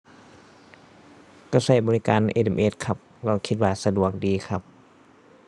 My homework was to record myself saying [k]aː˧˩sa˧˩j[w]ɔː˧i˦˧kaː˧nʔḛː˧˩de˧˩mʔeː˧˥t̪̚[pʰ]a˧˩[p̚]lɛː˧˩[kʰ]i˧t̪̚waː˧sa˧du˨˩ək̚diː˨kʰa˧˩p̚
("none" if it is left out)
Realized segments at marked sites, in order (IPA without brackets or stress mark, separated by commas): k, b, kʰ, p̚, kʰ